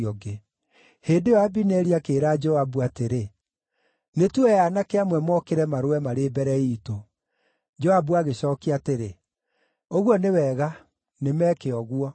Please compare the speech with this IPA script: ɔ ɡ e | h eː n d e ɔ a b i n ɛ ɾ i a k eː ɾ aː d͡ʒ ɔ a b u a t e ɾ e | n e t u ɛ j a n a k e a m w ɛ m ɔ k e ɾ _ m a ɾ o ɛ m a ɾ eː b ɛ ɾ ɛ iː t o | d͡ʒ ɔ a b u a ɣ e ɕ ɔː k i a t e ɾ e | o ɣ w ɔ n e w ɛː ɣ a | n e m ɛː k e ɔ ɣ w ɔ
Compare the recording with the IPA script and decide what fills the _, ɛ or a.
ɛ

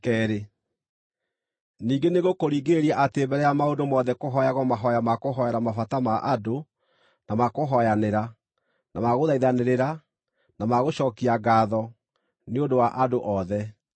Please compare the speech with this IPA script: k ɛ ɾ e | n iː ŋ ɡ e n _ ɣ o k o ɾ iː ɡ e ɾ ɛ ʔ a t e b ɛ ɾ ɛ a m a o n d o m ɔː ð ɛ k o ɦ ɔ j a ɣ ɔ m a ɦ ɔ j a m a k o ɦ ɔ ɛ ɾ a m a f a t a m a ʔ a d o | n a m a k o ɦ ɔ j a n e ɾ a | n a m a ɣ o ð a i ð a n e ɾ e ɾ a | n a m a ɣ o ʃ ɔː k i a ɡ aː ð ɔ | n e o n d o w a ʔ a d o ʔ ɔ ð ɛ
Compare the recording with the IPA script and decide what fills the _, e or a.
e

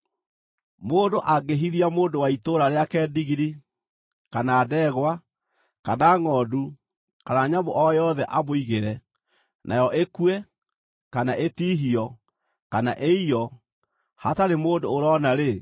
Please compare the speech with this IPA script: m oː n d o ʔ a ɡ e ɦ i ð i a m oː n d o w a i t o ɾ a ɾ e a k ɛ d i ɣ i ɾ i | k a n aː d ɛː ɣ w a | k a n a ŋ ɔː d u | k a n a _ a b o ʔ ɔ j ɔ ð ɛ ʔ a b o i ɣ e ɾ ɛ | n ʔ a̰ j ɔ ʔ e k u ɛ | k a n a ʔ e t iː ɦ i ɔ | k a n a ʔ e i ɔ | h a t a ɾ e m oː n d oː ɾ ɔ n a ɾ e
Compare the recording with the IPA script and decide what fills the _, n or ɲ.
ɲ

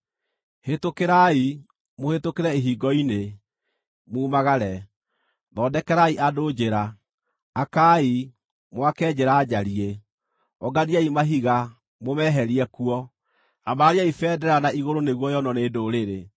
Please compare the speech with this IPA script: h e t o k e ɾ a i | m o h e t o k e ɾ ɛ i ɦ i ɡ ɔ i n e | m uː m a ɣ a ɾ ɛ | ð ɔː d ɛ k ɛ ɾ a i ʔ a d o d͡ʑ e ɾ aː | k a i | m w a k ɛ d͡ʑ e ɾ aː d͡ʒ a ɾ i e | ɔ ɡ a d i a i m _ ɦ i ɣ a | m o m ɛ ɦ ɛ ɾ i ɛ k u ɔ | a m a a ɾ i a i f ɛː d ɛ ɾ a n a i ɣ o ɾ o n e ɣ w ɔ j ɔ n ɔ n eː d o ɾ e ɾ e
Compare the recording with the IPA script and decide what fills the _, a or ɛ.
a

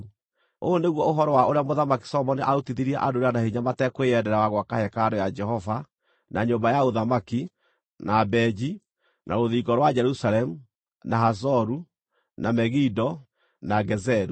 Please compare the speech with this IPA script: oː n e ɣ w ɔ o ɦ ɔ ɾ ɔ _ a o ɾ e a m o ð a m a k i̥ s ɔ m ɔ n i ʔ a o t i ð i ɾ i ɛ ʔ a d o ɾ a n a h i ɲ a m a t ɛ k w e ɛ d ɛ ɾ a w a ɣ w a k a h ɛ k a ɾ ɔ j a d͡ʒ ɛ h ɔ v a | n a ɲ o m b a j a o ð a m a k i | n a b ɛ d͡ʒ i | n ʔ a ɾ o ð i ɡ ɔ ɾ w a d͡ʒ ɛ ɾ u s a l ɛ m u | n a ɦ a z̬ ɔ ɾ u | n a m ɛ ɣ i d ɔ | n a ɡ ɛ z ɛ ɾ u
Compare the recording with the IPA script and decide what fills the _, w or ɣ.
w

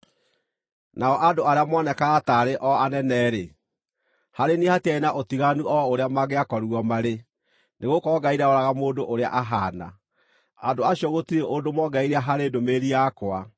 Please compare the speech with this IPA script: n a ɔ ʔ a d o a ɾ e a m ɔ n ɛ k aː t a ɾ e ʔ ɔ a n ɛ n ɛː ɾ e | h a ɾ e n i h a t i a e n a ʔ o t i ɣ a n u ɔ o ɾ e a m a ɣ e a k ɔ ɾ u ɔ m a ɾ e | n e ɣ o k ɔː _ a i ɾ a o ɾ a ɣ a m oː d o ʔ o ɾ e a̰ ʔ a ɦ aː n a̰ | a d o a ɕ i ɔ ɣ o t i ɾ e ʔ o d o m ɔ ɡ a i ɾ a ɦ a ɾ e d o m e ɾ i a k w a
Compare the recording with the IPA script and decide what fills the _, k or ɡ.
ɡ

